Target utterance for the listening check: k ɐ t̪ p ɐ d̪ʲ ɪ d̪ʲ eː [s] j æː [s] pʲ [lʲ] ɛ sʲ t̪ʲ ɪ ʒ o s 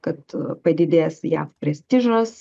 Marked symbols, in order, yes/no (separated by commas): yes, no, no